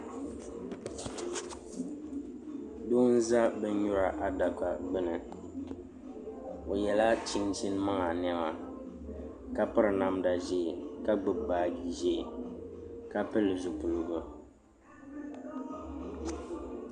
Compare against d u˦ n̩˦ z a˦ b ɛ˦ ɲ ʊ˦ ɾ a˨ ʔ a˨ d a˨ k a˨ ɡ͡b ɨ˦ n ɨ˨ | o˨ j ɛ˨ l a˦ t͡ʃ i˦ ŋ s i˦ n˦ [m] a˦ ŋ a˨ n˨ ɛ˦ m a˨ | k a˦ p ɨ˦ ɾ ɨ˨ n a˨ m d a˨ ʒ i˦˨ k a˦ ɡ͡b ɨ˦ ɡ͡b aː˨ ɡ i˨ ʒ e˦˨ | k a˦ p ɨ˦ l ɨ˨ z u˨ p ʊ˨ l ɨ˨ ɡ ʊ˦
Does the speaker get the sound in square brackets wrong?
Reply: no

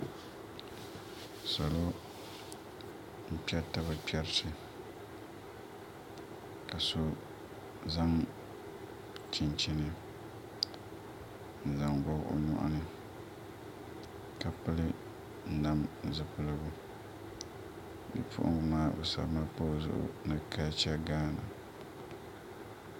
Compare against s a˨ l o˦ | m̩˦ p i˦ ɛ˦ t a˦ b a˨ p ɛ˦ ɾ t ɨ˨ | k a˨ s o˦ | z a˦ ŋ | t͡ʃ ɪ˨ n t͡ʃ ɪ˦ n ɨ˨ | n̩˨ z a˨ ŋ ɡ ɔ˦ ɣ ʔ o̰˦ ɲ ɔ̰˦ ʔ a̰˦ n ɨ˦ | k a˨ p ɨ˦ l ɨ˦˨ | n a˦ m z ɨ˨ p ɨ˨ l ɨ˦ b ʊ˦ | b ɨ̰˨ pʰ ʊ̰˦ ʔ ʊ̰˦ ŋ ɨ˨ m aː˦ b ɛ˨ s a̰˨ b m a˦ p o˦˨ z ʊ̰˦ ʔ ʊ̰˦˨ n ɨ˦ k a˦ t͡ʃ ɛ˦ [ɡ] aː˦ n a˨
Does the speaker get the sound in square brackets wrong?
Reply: no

